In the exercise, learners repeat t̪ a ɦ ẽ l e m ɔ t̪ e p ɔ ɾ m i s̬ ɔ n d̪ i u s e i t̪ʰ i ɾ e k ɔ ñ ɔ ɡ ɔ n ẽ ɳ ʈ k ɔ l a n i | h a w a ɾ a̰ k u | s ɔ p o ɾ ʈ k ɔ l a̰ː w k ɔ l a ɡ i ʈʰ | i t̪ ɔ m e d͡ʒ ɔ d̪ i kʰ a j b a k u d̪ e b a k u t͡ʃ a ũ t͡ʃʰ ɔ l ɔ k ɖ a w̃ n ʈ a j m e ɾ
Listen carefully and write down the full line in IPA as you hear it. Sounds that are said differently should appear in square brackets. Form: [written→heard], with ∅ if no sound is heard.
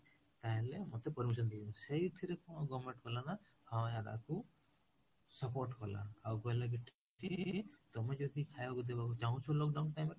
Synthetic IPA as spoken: t̪ a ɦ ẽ l e m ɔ t̪ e p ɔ ɾ m i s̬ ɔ n d̪ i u s e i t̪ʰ i ɾ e k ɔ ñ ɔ ɡ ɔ [n→m] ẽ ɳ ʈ k ɔ l a n [i→a] | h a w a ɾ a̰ k u | s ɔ p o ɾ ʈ k ɔ l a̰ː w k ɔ l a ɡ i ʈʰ | i t̪ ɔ m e d͡ʒ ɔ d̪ i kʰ a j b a k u d̪ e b a k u t͡ʃ a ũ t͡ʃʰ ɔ l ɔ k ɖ a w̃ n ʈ a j m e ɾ

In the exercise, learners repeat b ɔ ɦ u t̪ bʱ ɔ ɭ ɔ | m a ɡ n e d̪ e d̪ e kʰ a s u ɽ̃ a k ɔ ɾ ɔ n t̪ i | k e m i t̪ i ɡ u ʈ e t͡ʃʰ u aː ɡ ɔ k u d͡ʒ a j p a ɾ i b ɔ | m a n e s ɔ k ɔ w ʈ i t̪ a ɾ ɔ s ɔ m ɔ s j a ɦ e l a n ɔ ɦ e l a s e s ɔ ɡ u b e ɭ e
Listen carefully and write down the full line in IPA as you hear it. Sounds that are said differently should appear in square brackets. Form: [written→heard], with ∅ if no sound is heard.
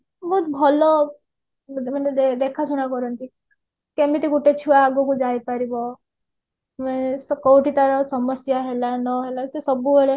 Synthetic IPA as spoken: b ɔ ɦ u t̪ bʱ ɔ [ɭ→l] ɔ | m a [ɡ→∅] n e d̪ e d̪ e kʰ a s u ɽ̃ a k ɔ ɾ ɔ n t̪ i | k e m i t̪ i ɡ u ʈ e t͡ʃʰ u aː ɡ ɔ k u d͡ʒ a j p a ɾ i b ɔ | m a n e s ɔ k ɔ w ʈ i t̪ a ɾ ɔ s ɔ m ɔ s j a ɦ e l a n ɔ ɦ e l a s e s ɔ [ɡ→b] u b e ɭ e

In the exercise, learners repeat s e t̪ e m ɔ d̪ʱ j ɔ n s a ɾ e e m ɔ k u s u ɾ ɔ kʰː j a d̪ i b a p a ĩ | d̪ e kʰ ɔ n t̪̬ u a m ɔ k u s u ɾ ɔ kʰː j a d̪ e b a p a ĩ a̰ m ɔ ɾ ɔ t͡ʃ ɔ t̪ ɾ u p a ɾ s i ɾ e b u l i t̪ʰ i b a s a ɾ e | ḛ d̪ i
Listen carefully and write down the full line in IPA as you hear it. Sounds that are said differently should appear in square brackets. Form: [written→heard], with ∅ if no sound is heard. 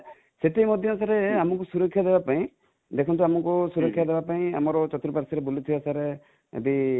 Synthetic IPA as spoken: s e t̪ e m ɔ d̪ʱ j ɔ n s a ɾ e [e→a] m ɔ k u s u ɾ ɔ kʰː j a d̪ [i→e] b a p a ĩ | d̪ e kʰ ɔ n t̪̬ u a m ɔ k u s u ɾ ɔ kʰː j a d̪ e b a p a ĩ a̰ m ɔ ɾ ɔ t͡ʃ ɔ t̪ ɾ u p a ɾ s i ɾ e b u l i t̪ʰ i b a s a ɾ e | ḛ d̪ i

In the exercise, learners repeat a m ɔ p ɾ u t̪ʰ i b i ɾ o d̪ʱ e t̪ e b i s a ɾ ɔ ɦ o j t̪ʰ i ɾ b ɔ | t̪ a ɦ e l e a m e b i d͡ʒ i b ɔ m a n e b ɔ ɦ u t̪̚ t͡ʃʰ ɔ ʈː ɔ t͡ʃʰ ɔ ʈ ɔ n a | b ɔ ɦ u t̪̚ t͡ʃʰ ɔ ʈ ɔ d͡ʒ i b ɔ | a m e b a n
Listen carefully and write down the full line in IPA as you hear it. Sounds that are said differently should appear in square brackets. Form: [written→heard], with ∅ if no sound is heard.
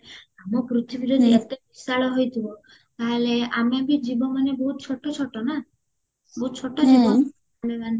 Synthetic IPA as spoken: a m ɔ p ɾ u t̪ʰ i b i ɾ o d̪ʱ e t̪ e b i s a [ɾ→ɭ] ɔ ɦ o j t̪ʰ i [ɾ→∅] b ɔ | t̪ a ɦ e l e a m e b i d͡ʒ i b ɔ m a n e b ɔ ɦ u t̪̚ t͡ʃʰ ɔ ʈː ɔ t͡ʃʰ ɔ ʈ ɔ n a | b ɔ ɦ u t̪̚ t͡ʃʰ ɔ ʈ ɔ d͡ʒ i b ɔ | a m e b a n

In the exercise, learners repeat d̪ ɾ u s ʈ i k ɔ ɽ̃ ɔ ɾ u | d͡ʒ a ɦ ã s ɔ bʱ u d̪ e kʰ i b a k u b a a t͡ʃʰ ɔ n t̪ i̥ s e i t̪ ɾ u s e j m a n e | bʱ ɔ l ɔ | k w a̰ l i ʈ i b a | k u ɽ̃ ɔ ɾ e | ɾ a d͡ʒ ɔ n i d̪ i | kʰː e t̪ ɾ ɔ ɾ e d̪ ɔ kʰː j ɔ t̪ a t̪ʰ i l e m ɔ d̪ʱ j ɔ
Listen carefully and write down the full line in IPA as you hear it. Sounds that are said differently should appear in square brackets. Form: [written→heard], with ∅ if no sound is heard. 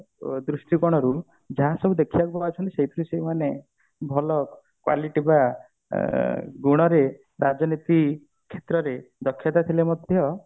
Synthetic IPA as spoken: d̪ ɾ u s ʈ i k ɔ ɽ̃ ɔ ɾ u | d͡ʒ a ɦ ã s ɔ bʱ u d̪ e kʰ i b a k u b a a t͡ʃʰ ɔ n t̪ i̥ s e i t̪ ɾ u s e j m a n e | bʱ ɔ l ɔ | k w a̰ l i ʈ i b a | [k→ɡ] u ɽ̃ ɔ ɾ e | ɾ a d͡ʒ ɔ n i [d̪→t̪] i | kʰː e t̪ ɾ ɔ ɾ e d̪ ɔ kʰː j ɔ t̪ a t̪ʰ i l e m ɔ d̪ʱ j ɔ

